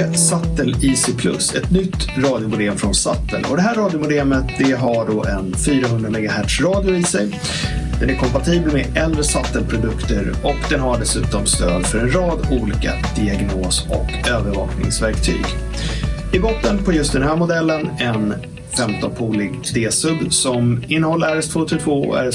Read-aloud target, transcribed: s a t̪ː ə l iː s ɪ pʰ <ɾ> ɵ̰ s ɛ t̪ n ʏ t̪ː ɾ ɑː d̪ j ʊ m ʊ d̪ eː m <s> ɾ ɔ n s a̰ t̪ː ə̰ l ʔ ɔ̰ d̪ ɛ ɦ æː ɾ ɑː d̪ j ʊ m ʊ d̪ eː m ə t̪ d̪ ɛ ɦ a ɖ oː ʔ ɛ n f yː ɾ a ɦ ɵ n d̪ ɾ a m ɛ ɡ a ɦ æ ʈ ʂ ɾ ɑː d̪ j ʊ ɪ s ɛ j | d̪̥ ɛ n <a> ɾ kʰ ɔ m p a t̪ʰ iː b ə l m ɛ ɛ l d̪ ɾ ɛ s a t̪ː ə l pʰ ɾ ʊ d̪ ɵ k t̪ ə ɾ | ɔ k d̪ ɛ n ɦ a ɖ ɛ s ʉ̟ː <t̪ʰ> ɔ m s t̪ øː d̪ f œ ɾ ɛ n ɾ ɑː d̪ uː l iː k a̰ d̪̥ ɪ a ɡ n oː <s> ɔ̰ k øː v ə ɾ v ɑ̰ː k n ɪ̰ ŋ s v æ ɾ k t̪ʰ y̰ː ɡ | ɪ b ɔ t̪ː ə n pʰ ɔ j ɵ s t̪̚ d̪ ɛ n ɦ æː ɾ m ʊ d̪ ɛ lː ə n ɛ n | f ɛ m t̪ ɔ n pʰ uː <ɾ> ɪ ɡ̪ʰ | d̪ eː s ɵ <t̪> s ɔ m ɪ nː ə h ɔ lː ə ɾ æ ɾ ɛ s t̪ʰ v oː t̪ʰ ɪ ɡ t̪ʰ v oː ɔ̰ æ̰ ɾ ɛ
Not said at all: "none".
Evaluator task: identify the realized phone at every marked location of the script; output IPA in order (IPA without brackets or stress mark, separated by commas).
l, f, æ, t̪, s, l, d̪